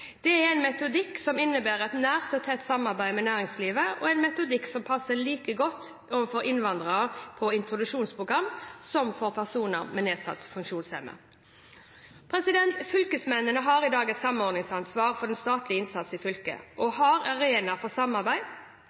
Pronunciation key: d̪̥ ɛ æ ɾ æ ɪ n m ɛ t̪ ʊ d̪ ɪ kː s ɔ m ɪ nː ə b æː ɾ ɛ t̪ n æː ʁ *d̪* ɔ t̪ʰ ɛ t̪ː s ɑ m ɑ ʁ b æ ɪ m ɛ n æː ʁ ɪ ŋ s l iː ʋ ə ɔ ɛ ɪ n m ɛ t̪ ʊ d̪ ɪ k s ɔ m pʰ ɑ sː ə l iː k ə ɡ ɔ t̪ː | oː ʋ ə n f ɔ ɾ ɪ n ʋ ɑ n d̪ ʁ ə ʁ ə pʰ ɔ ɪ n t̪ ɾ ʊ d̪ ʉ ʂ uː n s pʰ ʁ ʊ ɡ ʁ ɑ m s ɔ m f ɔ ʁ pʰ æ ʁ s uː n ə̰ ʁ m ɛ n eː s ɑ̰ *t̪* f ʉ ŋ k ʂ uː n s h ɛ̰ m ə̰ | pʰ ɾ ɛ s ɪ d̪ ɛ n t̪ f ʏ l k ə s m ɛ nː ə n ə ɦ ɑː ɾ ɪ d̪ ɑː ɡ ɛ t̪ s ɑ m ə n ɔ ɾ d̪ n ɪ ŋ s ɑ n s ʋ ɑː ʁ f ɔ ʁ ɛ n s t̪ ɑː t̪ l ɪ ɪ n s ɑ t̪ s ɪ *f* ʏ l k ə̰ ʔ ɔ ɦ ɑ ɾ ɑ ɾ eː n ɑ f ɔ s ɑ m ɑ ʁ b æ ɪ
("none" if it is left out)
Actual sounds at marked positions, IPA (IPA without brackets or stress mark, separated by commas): t̪, t̪, f